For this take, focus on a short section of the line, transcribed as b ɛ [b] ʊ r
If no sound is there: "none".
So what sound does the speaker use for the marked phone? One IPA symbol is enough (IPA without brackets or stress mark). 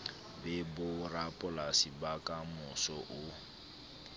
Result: b